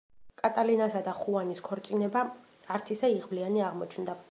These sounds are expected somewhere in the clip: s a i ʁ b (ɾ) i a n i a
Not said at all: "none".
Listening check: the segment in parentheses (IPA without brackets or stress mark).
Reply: l